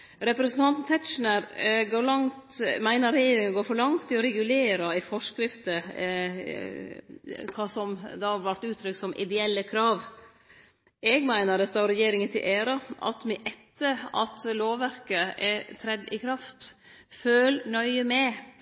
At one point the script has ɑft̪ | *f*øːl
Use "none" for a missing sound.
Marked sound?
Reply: f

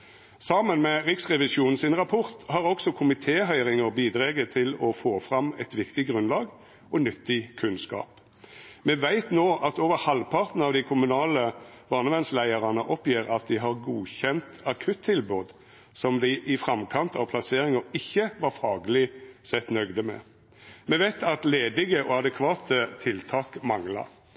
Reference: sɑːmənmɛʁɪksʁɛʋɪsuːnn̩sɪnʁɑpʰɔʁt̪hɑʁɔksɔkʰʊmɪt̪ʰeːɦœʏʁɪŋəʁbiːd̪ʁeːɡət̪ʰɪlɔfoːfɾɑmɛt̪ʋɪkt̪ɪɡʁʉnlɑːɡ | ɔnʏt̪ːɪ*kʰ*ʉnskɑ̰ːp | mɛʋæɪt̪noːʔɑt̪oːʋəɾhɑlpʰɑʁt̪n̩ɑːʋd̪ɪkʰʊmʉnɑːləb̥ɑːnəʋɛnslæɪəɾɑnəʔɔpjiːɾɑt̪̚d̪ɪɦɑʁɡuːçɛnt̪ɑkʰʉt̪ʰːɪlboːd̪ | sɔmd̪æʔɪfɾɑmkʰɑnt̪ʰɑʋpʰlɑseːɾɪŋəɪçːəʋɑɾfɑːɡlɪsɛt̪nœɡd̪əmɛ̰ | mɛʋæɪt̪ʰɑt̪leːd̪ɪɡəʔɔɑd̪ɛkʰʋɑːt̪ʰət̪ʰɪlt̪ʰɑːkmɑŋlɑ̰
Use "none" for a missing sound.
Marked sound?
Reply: kʰ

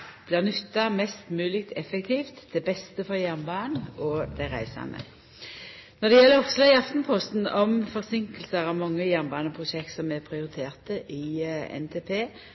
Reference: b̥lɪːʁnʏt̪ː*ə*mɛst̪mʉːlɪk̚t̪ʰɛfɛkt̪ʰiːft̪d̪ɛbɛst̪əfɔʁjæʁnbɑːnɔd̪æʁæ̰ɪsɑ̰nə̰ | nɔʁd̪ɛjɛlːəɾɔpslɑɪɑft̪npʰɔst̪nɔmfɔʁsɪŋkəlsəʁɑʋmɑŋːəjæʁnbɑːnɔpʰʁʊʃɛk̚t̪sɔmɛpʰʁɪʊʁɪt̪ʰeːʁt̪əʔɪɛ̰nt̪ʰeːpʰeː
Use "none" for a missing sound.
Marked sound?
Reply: ɑ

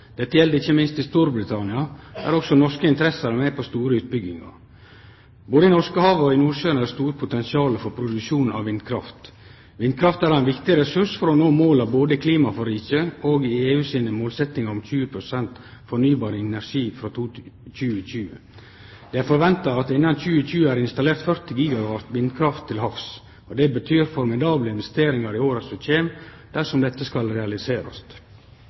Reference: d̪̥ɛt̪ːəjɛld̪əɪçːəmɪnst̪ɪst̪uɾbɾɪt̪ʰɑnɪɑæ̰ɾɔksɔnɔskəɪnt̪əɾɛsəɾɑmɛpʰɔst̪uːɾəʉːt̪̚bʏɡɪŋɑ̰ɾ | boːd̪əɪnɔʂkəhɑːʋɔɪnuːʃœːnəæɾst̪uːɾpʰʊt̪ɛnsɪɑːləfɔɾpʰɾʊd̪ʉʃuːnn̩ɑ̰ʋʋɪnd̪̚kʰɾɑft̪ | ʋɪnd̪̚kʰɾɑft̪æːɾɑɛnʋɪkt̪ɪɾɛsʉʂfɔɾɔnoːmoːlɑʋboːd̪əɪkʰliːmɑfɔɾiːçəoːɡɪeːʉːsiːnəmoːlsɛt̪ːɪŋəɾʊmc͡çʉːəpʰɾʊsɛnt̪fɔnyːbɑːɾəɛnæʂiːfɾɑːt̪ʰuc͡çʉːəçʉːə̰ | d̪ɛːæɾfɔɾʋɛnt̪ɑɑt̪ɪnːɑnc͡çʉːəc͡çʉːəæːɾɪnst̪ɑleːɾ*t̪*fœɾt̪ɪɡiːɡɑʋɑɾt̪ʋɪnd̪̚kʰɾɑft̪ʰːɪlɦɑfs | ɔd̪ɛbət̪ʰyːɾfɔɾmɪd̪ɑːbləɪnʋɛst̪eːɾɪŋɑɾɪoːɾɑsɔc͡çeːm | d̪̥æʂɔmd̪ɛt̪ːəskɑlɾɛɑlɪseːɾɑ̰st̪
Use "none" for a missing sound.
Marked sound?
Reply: t̪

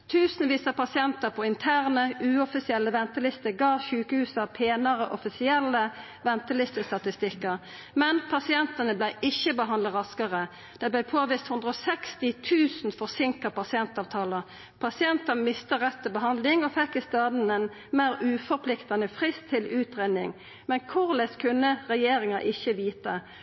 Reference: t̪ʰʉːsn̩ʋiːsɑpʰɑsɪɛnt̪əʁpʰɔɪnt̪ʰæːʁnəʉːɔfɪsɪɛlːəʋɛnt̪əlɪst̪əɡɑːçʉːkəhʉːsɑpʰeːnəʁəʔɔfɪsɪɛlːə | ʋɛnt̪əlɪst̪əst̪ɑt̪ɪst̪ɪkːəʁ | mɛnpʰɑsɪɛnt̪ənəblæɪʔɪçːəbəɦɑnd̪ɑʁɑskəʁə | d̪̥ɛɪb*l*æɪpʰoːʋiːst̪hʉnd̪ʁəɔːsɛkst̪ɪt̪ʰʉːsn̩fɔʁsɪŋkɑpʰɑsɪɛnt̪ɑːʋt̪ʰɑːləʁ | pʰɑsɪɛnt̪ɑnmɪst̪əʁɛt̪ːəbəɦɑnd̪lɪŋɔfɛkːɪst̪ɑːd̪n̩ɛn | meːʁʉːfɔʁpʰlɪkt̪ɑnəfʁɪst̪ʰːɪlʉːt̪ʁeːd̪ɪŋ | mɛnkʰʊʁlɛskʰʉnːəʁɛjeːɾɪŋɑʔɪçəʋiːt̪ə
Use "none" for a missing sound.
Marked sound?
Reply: l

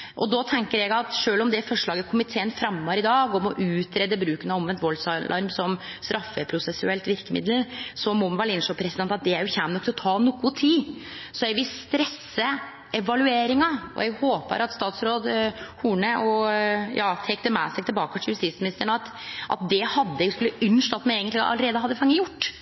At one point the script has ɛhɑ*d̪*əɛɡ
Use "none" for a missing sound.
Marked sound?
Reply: d̪ː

